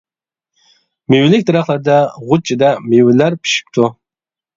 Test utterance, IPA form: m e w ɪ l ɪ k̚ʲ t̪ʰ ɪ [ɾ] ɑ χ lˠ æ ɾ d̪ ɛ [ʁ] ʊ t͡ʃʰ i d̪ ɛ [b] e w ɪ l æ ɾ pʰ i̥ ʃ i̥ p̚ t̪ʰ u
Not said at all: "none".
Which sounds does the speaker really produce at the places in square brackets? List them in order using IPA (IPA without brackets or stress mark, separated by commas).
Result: ɾ, ʁ, m